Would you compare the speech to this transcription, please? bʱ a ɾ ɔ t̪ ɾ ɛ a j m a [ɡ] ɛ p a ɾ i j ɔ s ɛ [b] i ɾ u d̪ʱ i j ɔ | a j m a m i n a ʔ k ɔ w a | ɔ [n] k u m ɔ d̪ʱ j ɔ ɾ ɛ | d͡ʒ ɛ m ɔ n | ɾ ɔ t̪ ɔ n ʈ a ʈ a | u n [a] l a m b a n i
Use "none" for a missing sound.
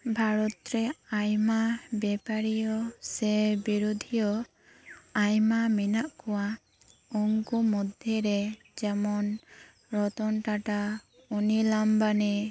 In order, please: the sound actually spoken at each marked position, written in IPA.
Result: b, b, ŋ, i

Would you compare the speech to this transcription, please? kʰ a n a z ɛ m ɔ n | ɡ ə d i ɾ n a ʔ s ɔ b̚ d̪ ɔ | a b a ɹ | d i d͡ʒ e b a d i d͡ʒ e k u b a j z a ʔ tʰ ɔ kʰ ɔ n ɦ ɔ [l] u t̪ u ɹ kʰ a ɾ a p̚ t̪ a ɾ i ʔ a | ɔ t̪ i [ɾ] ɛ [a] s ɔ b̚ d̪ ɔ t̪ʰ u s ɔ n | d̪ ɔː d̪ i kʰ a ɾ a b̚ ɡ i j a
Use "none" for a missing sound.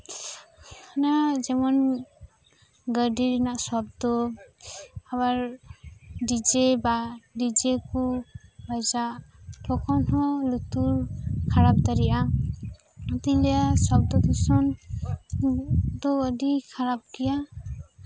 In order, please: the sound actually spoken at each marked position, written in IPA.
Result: l, l, a

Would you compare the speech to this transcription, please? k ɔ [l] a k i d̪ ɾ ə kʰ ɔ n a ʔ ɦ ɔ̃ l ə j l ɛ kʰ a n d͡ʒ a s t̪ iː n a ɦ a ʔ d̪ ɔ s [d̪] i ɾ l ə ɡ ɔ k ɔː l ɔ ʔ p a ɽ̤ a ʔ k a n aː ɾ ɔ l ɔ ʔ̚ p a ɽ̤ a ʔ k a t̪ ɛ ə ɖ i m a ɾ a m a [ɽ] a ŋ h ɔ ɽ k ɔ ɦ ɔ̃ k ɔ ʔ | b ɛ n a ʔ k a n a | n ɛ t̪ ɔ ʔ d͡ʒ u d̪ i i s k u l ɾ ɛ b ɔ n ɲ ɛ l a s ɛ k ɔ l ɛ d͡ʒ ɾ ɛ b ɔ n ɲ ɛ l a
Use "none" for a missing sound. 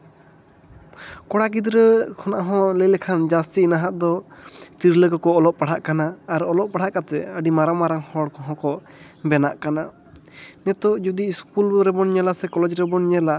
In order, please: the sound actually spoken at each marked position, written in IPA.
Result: ɽ, t̪, ɾ

